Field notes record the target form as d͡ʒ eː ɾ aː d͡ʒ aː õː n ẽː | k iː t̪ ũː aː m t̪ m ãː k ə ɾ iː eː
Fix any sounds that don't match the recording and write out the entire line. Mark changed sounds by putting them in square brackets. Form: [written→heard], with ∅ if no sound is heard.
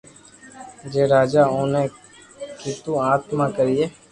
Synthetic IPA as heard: d͡ʒ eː ɾ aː d͡ʒ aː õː n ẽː | k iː t̪ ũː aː [m→∅] t̪ m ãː k ə ɾ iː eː